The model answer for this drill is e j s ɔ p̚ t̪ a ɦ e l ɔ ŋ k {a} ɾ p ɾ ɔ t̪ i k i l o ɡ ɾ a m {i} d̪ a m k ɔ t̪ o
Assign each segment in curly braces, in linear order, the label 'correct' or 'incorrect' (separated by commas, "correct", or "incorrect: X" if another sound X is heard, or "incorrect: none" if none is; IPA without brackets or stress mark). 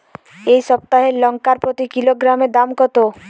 correct, incorrect: e